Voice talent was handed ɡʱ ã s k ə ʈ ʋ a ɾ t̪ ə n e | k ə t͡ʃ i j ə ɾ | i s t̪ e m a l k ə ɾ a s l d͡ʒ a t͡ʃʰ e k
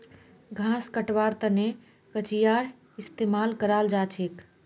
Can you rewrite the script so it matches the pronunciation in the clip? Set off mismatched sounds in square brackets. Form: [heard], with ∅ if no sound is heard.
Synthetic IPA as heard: ɡʱ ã s k ə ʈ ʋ a ɾ t̪ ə n e | k ə t͡ʃ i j [a] ɾ | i s t̪ e m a l k ə ɾ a [∅] l d͡ʒ a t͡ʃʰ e k

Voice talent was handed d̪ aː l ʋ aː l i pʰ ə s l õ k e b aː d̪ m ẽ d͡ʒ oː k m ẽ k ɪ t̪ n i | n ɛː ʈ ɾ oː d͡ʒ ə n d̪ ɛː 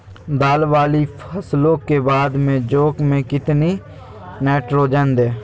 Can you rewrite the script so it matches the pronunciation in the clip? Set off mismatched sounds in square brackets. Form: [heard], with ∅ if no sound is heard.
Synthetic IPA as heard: d̪ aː l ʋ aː l i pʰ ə s l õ k e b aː d̪ m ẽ d͡ʒ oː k m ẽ k ɪ t̪ n i | n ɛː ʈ ɾ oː d͡ʒ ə n d̪ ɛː

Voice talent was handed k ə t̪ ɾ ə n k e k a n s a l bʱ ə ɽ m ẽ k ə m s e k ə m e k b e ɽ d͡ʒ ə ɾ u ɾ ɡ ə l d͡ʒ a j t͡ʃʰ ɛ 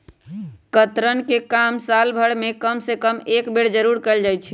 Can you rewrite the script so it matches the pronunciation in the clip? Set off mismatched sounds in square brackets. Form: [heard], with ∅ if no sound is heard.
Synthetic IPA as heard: k ə t̪ ɾ ə n k e k a [m] s a l bʱ ə ɽ m [e] k ə m s e k ə m e k b e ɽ d͡ʒ ə ɾ u ɾ [k] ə l d͡ʒ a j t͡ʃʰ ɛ

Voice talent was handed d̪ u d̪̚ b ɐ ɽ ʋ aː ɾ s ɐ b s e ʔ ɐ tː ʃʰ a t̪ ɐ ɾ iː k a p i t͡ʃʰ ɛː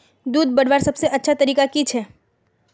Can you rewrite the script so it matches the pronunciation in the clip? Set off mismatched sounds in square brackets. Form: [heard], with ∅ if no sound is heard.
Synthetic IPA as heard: d̪ [uː] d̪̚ b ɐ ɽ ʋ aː ɾ s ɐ b s e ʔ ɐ tː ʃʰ a t̪ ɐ ɾ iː k a [k] i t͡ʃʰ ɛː

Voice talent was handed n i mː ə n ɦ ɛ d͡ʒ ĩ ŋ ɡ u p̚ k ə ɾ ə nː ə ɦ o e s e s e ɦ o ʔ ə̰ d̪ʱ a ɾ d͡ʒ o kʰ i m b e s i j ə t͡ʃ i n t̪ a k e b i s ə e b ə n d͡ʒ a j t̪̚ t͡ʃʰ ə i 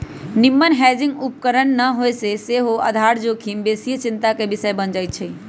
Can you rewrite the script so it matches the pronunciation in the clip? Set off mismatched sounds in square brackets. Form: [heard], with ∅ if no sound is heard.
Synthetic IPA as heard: n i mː ə n ɦ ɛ d͡ʒ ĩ ŋ ɡ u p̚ k ə ɾ ə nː ə ɦ o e s e s e ɦ o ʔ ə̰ d̪ʱ a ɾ d͡ʒ o kʰ i m b e s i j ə t͡ʃ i n t̪ a k e b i s ə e b ə n d͡ʒ a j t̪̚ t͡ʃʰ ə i

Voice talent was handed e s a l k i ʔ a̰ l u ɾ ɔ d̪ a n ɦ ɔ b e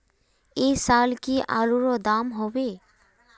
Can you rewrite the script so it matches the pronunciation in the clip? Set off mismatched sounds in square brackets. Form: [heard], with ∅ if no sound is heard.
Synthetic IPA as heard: e s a l k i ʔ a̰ l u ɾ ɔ d̪ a [m] ɦ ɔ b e

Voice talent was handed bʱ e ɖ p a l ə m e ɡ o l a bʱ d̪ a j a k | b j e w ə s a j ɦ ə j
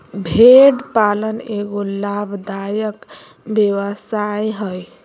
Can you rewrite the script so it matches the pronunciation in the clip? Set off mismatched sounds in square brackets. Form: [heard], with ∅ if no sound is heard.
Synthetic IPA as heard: bʱ e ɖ p a l ə [n] e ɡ o l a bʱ d̪ a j [ə] k | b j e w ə s a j ɦ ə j

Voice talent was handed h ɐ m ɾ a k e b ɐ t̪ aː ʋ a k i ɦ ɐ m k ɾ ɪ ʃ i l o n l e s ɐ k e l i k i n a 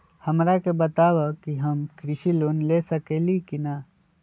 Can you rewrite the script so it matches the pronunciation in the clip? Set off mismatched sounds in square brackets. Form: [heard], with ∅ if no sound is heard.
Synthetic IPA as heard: h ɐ m ɾ a k e b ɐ t̪ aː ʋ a k i ɦ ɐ m k ɾ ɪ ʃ i l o n l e s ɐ k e l i k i n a

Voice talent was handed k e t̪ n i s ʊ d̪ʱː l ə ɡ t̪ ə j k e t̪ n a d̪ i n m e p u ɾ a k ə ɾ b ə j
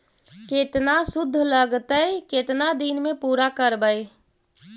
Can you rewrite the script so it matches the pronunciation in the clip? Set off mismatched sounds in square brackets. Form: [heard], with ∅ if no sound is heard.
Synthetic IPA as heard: k e t̪ n [a] s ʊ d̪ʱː l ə ɡ t̪ ə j k e t̪ n a d̪ i n m e p u ɾ a k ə ɾ b ə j

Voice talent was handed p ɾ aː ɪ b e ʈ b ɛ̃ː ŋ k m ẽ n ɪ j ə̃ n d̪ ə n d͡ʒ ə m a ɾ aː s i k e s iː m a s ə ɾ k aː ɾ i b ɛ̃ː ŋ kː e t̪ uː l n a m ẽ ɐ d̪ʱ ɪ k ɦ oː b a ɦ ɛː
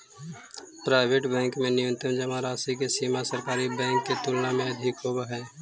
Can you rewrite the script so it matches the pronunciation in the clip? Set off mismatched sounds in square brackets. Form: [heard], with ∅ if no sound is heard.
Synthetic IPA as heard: p ɾ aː ɪ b e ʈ b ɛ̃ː ŋ k m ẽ n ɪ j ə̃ n [t̪] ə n d͡ʒ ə m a ɾ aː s i k e s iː m a s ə ɾ k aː ɾ i b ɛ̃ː ŋ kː e t̪ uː l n a m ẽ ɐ d̪ʱ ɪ k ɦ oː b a ɦ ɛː

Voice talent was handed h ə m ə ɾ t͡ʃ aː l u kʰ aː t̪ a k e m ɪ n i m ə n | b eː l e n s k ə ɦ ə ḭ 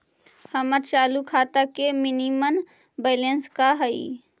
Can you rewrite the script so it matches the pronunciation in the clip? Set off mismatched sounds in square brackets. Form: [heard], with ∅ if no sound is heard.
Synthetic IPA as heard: h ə m ə ɾ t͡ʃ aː l u kʰ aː t̪ a k e m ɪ n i m ə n | b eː l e n s k [a] ɦ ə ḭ

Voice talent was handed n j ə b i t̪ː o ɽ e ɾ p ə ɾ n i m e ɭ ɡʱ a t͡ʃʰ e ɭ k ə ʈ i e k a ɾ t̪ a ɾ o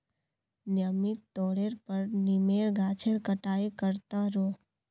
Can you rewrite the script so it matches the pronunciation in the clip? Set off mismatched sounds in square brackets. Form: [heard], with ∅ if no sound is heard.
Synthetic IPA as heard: n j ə [m] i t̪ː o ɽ e ɾ p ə ɾ n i m e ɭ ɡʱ a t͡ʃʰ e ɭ k ə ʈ [a] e k [ə] ɾ t̪ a ɾ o

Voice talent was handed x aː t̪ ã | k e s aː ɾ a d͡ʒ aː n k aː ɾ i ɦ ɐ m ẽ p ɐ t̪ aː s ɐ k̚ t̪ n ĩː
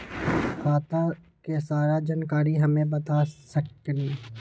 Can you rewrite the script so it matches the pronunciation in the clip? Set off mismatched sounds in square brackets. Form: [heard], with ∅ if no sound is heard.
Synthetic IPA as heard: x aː t̪ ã | k e s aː ɾ a d͡ʒ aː n k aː ɾ i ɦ ɐ m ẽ [b] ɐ t̪ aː s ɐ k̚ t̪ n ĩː

